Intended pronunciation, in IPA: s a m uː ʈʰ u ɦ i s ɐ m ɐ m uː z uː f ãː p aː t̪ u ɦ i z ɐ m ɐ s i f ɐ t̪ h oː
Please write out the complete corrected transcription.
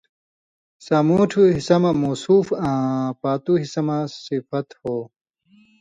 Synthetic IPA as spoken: s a m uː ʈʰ u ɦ i s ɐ m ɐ m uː s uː f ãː p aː t̪ u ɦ i s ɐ m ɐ s i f ɐ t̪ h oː